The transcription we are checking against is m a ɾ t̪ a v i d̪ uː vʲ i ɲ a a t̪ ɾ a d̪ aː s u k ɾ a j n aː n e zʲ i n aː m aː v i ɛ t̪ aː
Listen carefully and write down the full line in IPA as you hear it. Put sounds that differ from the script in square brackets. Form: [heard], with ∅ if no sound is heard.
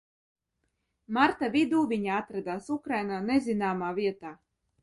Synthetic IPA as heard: m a ɾ t̪ a v i d̪ uː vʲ i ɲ a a t̪ ɾ a d̪ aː s u k ɾ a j n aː n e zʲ i n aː m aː v i ɛ t̪ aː